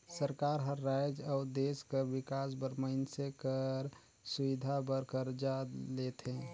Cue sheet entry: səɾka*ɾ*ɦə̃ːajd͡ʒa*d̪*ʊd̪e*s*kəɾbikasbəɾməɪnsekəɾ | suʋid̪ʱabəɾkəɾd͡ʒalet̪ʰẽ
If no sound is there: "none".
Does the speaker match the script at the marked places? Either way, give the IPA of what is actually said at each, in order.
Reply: ɾ, none, s

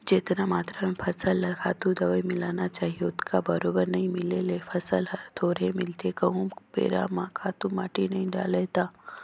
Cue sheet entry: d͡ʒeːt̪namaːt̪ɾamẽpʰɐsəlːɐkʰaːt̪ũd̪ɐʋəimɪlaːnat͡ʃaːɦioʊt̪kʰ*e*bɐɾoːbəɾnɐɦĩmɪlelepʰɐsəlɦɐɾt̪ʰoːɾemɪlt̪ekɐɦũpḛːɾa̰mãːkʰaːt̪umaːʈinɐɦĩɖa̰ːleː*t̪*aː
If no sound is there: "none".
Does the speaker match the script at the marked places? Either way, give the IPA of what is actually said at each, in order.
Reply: a, t̪

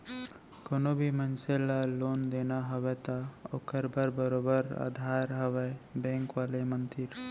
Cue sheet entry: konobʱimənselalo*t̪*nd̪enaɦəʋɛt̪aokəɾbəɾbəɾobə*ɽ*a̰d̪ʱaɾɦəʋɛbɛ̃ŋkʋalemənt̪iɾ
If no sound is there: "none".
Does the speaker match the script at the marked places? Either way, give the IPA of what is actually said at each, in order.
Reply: none, ɾ

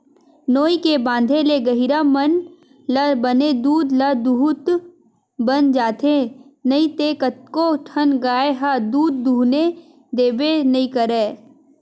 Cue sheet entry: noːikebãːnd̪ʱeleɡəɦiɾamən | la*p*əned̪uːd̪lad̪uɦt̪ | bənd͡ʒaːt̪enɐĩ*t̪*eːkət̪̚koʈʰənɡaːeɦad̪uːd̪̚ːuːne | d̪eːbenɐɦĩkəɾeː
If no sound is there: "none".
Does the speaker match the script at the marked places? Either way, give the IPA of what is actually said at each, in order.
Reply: b, t̪

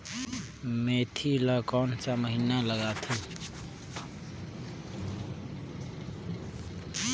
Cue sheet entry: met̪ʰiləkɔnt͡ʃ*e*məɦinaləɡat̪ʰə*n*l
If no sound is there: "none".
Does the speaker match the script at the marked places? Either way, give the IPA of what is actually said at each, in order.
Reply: a, none

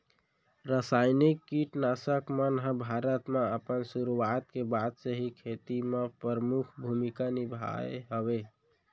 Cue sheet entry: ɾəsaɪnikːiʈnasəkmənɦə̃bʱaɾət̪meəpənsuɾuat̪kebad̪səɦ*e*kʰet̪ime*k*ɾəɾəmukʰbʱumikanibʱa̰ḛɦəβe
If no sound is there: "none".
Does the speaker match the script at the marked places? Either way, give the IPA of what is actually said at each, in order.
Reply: i, p

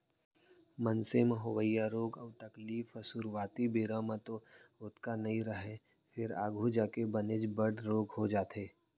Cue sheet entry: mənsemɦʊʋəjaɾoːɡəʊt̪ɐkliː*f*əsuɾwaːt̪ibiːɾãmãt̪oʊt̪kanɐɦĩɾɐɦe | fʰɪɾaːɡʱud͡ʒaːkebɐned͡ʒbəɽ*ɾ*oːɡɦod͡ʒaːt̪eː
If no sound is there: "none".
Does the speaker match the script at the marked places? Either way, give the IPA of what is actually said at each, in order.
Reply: f, ɾ

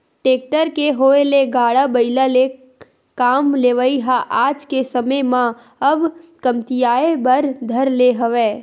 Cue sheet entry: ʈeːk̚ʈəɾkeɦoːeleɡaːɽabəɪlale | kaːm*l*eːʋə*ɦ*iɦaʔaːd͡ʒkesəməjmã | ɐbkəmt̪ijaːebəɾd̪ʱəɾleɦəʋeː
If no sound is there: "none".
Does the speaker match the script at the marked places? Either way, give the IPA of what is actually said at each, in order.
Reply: l, none

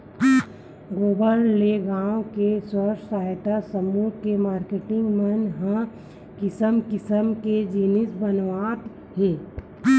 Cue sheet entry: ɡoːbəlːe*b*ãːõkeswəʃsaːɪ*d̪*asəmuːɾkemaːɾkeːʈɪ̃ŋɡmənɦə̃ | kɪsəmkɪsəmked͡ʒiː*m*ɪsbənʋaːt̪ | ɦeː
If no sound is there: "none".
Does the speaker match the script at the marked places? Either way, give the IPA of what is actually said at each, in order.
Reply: ɡ, t̪, n

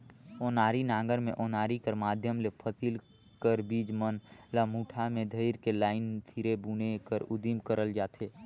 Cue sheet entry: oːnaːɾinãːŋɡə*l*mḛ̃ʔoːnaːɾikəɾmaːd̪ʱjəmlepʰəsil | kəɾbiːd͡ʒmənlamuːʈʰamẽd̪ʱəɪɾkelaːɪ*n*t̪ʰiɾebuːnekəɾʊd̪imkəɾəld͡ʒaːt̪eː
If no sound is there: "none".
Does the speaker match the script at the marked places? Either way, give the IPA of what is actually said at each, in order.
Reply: ɾ, n

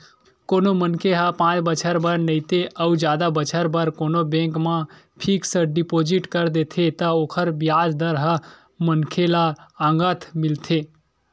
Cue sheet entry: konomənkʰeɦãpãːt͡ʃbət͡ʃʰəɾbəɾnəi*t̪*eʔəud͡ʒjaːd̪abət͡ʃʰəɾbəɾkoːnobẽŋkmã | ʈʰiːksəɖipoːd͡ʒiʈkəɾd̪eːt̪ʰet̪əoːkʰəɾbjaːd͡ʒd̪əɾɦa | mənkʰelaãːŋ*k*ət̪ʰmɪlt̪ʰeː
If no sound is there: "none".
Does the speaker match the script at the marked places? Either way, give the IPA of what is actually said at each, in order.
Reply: t̪, ɡ

